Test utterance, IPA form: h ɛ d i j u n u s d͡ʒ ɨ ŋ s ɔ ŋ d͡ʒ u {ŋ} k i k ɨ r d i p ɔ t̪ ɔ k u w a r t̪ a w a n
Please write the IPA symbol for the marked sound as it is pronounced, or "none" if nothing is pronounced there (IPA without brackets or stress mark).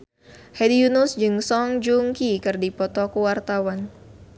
ŋ